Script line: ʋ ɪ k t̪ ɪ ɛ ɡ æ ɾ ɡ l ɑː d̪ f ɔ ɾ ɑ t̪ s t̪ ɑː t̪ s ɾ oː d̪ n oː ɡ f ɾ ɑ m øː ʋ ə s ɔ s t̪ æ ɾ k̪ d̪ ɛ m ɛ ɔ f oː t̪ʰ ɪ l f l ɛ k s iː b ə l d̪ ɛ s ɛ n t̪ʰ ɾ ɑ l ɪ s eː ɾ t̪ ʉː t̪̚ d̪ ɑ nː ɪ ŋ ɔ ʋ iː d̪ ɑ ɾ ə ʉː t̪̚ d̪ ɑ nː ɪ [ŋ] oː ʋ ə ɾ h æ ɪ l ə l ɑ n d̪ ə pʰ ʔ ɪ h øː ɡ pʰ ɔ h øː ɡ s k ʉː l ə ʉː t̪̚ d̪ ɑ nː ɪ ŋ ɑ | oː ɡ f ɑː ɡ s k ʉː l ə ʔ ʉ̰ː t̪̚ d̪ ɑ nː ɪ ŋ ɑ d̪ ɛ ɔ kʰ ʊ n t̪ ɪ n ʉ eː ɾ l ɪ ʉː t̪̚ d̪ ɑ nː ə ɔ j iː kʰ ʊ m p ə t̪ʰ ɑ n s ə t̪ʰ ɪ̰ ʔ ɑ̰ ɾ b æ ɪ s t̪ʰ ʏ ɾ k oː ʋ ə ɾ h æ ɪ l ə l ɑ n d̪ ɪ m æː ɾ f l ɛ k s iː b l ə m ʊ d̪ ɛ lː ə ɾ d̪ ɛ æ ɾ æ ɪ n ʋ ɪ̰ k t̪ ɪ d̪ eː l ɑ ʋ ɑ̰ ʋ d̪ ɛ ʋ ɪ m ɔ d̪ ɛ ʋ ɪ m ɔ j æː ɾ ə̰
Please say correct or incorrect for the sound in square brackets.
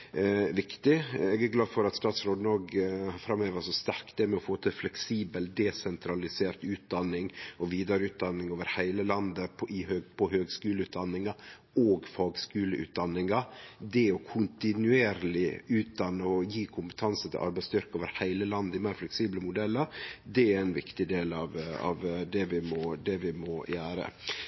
correct